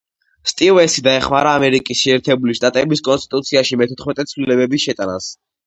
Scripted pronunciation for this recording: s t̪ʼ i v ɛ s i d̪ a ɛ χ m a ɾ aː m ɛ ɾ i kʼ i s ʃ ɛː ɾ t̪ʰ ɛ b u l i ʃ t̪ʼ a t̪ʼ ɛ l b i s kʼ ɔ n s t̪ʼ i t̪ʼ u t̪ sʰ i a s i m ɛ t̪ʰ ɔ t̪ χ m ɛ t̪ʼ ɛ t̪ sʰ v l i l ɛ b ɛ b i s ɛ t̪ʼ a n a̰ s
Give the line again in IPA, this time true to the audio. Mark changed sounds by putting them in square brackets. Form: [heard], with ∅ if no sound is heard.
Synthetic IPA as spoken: s t̪ʼ i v ɛ s i d̪ a ɛ χ m a ɾ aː m ɛ ɾ i kʼ i s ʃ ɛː ɾ t̪ʰ ɛ b u l i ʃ t̪ʼ a t̪ʼ ɛ [∅] b i s kʼ ɔ n s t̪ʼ i t̪ʼ u t̪ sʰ i a [ʃ] i m ɛ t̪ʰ ɔ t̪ χ m ɛ t̪ʼ ɛ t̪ sʰ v l i l ɛ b ɛ b i [ʃ] ɛ t̪ʼ a n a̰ s